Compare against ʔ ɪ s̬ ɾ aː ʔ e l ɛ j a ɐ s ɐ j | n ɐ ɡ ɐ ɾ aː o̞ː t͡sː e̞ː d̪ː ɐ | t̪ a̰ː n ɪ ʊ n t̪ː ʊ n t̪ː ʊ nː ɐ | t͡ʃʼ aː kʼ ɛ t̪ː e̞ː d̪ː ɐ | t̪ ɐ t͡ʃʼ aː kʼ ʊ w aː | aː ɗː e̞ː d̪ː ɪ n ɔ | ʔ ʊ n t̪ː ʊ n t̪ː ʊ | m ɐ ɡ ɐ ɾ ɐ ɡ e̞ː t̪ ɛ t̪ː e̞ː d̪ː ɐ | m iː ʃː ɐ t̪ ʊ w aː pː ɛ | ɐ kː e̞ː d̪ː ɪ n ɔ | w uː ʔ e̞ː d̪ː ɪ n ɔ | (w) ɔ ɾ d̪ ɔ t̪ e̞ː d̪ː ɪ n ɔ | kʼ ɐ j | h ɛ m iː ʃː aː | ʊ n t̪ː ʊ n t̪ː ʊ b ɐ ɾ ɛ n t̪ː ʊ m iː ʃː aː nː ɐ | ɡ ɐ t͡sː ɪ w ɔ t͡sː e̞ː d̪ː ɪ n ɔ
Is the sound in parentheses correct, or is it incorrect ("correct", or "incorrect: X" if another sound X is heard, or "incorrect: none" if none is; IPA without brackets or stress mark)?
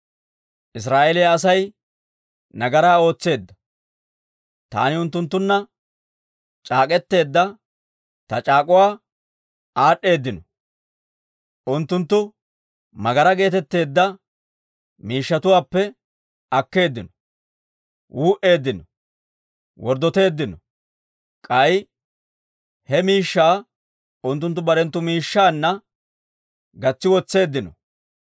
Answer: correct